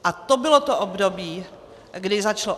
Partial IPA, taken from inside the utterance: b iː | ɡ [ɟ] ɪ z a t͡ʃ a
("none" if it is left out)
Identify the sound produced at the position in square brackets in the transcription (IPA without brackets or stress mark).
d